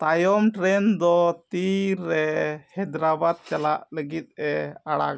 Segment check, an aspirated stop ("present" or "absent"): absent